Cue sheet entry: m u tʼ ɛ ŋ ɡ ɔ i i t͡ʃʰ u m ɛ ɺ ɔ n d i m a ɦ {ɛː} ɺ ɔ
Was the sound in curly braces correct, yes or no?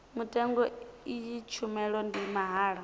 no